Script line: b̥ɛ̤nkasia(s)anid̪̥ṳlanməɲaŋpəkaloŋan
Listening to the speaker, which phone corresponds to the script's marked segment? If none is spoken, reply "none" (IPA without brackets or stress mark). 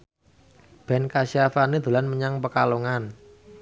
f